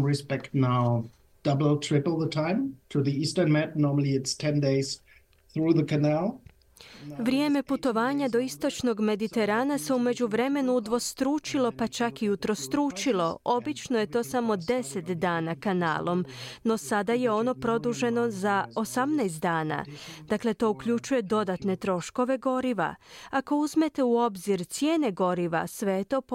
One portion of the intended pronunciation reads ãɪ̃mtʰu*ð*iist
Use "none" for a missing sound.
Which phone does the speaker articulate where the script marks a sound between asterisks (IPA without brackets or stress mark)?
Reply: ð